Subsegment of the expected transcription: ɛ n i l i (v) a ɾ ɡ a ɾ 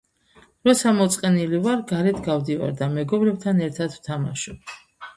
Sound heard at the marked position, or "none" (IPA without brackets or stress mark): v